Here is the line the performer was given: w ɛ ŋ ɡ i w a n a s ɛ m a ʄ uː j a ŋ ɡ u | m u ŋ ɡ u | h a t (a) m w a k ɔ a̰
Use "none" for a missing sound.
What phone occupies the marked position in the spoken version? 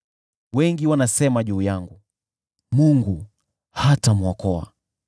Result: a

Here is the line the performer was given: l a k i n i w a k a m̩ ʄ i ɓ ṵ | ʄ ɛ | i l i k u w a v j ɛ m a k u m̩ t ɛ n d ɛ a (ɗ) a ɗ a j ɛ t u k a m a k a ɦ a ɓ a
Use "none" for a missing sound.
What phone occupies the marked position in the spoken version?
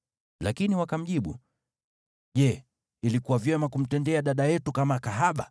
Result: ɗ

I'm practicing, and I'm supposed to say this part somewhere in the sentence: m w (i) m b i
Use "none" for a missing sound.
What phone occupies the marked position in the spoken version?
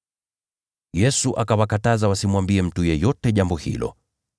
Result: a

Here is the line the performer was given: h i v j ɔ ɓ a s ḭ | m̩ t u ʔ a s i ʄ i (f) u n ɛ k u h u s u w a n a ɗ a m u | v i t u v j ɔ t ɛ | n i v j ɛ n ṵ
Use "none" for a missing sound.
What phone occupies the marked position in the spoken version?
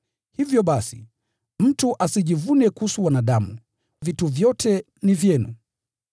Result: v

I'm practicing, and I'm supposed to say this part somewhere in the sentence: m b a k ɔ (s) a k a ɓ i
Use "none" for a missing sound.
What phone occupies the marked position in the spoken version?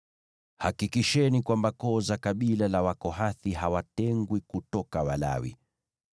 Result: z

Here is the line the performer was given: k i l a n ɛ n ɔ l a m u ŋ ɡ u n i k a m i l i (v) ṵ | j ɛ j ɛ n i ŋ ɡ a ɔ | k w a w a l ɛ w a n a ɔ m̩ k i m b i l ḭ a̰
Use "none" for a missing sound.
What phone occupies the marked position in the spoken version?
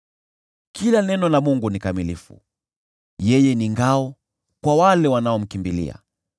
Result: f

